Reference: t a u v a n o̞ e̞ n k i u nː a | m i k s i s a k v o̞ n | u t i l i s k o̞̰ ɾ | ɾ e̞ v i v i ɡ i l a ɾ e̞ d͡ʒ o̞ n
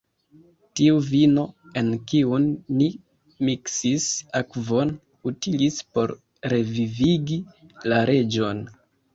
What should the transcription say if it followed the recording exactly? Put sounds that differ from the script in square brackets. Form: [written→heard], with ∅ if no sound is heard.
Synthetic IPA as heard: t [a→i] u v [a→i] n o̞ e̞ n k i u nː [a→i] | m i k s i s a k v o̞ n | u t i l i s [k→p] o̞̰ ɾ | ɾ e̞ v i v i ɡ i l a ɾ e̞ d͡ʒ o̞ n

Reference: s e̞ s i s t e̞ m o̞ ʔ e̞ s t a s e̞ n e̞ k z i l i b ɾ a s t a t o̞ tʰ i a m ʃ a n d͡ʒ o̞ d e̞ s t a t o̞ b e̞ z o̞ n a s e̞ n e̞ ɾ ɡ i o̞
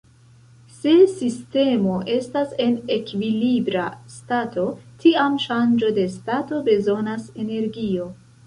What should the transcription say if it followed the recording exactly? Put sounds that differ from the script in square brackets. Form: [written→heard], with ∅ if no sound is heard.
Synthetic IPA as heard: s e̞ s i s t e̞ m o̞ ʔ e̞ s t a s e̞ n e̞ k [z→v] i l i b ɾ a s t a t o̞ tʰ i a m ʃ a n d͡ʒ o̞ d e̞ s t a t o̞ b e̞ z o̞ n a s e̞ n e̞ ɾ ɡ i o̞

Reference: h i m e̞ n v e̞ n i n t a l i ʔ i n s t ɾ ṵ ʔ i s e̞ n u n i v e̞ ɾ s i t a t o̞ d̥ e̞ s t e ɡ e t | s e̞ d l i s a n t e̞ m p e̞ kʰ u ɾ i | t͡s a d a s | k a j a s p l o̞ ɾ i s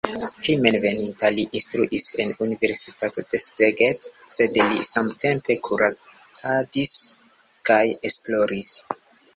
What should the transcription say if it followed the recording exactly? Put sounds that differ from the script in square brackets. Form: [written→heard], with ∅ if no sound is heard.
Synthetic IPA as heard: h i m e̞ n v e̞ n i n t a l i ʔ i n s t ɾ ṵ ʔ i s e̞ n u n i v e̞ ɾ s i t a t o̞ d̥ e̞ s t e ɡ e t | s e̞ d l i s a [n→m] t e̞ m p e̞ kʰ u ɾ [i→a] | t͡s a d [a→i] s | k a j [a→e] s p l o̞ ɾ i s

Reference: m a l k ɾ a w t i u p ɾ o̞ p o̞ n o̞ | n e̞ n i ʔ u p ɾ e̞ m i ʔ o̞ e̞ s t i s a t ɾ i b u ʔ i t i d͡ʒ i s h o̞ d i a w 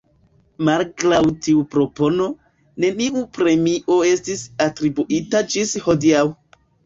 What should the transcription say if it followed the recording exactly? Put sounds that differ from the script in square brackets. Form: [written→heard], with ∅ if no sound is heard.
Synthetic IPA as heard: m a l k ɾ a w t i u p ɾ o̞ p o̞ n o̞ | n e̞ n i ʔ u p ɾ e̞ m i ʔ o̞ e̞ s t i s a t ɾ i b u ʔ i t [i→a] d͡ʒ i s h o̞ d i a w

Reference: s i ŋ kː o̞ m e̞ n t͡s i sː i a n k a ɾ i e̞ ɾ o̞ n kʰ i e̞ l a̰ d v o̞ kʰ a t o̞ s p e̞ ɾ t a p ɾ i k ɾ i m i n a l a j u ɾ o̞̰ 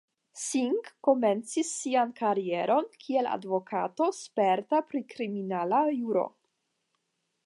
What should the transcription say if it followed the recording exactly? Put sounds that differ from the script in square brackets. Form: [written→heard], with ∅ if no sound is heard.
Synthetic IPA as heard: s i ŋ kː o̞ m e̞ n t͡s i sː i a n k a ɾ i e̞ ɾ o̞ n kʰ i e̞ l a̰ d v o̞ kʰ a t o̞ s p e̞ ɾ t a p ɾ i k ɾ i m i n a l a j u ɾ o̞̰

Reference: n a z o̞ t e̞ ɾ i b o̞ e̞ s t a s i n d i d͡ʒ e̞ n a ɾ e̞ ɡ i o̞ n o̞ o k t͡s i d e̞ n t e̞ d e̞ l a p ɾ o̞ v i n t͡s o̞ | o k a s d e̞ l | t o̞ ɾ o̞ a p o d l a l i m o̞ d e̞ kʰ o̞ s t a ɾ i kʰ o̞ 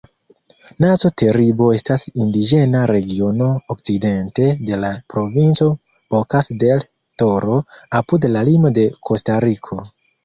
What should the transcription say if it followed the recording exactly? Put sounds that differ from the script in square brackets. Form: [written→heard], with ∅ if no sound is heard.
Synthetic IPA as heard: n a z o̞ t e̞ ɾ i b o̞ e̞ s t a s i n d i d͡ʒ e̞ n a ɾ e̞ ɡ i o̞ n o̞ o k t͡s i d e̞ n t e̞ d e̞ l a p ɾ o̞ v i n t͡s o̞ | o k a s d e̞ l | t o̞ ɾ o̞ a p [o→u] d l a l i m o̞ d e̞ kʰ o̞ s t a ɾ i kʰ o̞

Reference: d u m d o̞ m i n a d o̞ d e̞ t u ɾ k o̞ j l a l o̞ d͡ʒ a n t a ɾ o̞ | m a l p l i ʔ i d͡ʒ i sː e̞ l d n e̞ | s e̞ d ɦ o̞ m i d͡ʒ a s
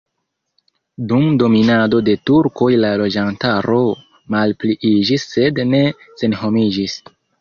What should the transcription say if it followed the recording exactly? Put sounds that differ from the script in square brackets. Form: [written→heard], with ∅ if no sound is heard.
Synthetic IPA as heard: d u m d o̞ m i n a d o̞ d e̞ t u ɾ k o̞ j l a l o̞ d͡ʒ a n t a ɾ o̞ | m a l p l i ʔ i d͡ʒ i sː e̞ [l→∅] d n e̞ | s e̞ [d→n] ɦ o̞ m i d͡ʒ [a→i] s

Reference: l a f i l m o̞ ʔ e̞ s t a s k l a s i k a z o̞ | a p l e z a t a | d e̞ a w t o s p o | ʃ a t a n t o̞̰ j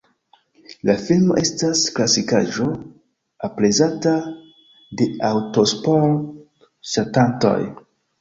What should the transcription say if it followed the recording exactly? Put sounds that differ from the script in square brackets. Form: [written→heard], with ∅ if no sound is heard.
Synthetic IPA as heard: l a f i l m o̞ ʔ e̞ s t a s k l a s i k a [z→ʒ] o̞ | a p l e z a t a | d e̞ a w t o s p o | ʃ a t a n t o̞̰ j

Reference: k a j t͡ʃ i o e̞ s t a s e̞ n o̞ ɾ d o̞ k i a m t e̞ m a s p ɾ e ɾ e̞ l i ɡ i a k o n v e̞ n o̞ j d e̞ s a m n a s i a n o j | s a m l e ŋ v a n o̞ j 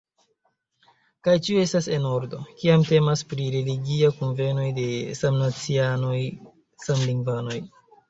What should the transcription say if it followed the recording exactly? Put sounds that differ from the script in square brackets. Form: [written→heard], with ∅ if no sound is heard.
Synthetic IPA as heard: k a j t͡ʃ i o e̞ s t a s e̞ n o̞ ɾ d o̞ k i a m t e̞ m a s p ɾ [e→i] ɾ e̞ l i ɡ i a k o n v e̞ n o̞ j d e̞ s a m n a [s→t͡s] i a n o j | s a m l [e→i] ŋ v a n o̞ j

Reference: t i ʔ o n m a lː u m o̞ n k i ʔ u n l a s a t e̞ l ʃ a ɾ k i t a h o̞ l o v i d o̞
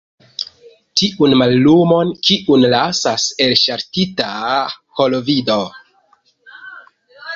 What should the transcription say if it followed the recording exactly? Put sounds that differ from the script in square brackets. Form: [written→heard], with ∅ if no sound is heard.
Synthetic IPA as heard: t i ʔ [o→u] n m a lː u m o̞ n k i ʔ u n l a s a [t→s] e̞ l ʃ a ɾ [k→t] i t a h o̞ l o v i d o̞

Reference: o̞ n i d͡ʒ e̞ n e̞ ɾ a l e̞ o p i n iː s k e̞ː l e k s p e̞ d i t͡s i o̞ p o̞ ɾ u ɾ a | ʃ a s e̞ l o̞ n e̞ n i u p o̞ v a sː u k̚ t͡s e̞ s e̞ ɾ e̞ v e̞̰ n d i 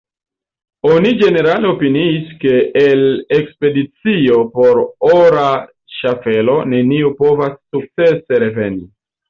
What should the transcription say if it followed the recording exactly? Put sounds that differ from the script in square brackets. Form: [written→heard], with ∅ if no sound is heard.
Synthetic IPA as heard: o̞ n i d͡ʒ e̞ n e̞ ɾ a l e̞ o p i n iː s k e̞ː l e k s p e̞ d i t͡s i o̞ p o̞ ɾ [u→o] ɾ a | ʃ a [s→f] e̞ l o̞ n e̞ n i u p o̞ v a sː u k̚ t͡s e̞ s e̞ ɾ e̞ v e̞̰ n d i

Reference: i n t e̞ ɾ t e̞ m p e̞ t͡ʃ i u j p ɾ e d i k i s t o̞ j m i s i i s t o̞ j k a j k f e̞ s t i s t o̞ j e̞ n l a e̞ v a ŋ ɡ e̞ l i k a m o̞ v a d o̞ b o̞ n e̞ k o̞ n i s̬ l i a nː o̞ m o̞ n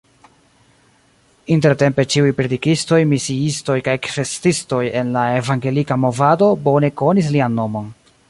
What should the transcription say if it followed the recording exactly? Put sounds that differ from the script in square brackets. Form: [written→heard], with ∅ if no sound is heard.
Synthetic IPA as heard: i n t e̞ ɾ t e̞ m p e̞ t͡ʃ i u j p ɾ e d i k i s t o̞ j m i s i i s t o̞ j k a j k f e̞ s t i s t o̞ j e̞ n l a e̞ v a ŋ ɡ e̞ l i k a m o̞ v a d o̞ b o̞ n e̞ k o̞ n i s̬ l i a nː o̞ m o̞ n

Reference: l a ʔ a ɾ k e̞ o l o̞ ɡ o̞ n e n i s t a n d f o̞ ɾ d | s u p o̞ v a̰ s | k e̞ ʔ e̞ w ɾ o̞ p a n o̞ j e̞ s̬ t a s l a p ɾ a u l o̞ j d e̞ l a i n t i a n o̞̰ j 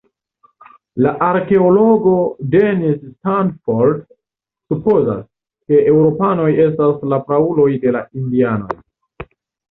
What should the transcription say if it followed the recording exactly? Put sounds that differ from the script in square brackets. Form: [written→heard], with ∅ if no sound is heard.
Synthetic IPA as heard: l a ʔ a ɾ k e̞ o l o̞ ɡ o̞ [n→d] e n i s t a n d f o̞ ɾ d | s u p o̞ [v→z] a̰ s | k e̞ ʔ e̞ w ɾ o̞ p a n o̞ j e̞ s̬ t a s l a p ɾ a u l o̞ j d e̞ l a i n [t→d] i a n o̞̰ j

